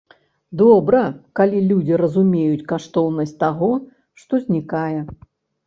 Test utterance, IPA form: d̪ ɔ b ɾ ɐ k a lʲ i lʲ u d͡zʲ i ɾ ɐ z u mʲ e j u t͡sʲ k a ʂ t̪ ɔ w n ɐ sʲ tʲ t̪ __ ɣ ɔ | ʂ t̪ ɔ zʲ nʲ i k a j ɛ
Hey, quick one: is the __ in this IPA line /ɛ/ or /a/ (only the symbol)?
a